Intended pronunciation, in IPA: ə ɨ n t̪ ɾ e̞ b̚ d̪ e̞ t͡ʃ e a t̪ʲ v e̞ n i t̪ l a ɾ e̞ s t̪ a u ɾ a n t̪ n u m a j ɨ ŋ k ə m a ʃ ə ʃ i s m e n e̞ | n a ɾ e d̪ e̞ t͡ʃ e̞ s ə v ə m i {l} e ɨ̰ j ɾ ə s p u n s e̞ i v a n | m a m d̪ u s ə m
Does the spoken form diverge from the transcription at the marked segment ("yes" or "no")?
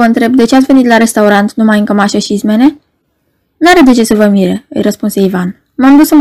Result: yes